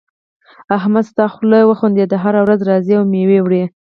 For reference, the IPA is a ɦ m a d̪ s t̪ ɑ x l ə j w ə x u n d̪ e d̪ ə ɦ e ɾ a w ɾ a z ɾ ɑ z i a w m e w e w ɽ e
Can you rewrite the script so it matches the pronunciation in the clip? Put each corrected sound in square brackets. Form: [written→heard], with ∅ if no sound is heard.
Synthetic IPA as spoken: a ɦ m a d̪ s t̪ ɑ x l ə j w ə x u n d̪ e d̪ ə ɦ [e→a] ɾ a w ɾ a z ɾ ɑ z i a w m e w e w ɽ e